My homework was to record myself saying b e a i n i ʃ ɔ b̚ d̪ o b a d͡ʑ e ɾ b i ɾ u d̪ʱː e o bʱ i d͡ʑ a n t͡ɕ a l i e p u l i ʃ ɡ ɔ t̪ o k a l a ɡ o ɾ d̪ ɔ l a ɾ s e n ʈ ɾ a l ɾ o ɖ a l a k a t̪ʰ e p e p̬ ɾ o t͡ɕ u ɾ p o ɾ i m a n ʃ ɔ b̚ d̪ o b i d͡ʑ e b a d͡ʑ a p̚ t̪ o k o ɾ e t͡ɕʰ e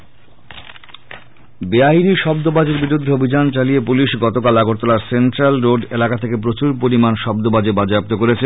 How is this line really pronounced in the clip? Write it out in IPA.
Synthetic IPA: b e a i n i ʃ ɔ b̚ d̪ o b a d͡ʑ e ɾ b i ɾ u d̪ʱː e o bʱ i d͡ʑ a n t͡ɕ a l i e p u l i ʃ ɡ ɔ t̪ o k a l a ɡ o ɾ t̪ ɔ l a ɾ s e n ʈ ɾ a l ɾ o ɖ e l a k a t̪ʰ e k e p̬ ɾ o t͡ɕ u ɾ p o ɾ i m a n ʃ ɔ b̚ d̪ o b a d͡ʑ e b a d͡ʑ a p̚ t̪ o k o ɾ e t͡ɕʰ e

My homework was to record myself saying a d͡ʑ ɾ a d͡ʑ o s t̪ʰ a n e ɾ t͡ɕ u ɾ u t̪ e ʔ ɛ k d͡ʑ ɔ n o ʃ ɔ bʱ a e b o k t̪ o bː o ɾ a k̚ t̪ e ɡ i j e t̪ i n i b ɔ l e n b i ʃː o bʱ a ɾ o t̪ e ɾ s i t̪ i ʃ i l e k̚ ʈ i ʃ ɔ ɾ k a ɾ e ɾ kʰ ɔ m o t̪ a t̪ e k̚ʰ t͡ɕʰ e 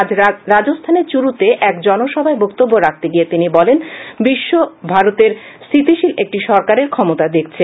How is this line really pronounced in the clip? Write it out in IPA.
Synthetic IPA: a d͡ʑ ɾ a d͡ʑ o s t̪ʰ a n e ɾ t͡ɕ u ɾ u t̪ e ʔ ɛ k d͡ʑ ɔ n o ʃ ɔ bʱ a e b o k t̪ o bː o ɾ a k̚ t̪ e ɡ i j e t̪ i n i b ɔ l e n b i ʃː o bʱ a ɾ o t̪ e ɾ s i t̪ i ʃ i l e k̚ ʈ i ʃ ɔ ɾ k a ɾ e ɾ kʰ ɔ m o t̪ a d̪ e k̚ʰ t͡ɕʰ e

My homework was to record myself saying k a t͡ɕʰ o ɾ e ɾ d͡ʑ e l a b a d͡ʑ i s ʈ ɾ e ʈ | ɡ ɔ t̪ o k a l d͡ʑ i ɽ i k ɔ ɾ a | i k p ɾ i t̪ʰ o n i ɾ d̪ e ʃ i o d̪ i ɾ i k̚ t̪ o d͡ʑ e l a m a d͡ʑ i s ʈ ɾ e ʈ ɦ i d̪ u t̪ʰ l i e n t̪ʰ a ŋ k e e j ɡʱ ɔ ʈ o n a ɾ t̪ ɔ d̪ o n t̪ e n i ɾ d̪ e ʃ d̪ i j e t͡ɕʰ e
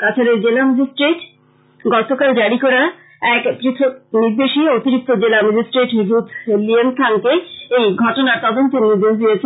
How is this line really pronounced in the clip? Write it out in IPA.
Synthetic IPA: k a t͡ɕʰ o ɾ e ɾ d͡ʑ e l a m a d͡ʑ i s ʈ ɾ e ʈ | ɡ ɔ t̪ o k a l d͡ʑ a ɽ i k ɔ ɾ a | ɛ k p ɾ i t̪ʰ o n i ɾ d̪ e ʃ i o t̪ i ɾ i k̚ t̪ o d͡ʑ e l a m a d͡ʑ i s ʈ ɾ e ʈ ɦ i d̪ u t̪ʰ l i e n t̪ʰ a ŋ k e e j ɡʱ ɔ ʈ o n a ɾ t̪ ɔ d̪ o n t̪ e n i ɾ d̪ e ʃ d̪ i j e t͡ɕʰ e

